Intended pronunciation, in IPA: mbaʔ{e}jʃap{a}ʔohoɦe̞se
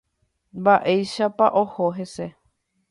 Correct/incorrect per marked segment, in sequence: correct, correct

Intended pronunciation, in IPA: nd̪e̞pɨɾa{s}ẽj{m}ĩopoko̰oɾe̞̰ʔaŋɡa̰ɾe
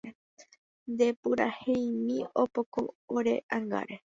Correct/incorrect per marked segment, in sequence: incorrect: h, correct

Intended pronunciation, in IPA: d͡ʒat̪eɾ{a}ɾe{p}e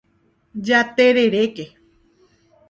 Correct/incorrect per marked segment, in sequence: incorrect: e, incorrect: k

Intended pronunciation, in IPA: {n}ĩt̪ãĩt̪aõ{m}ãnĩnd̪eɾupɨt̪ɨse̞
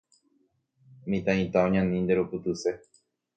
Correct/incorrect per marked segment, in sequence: incorrect: m, incorrect: ɲ

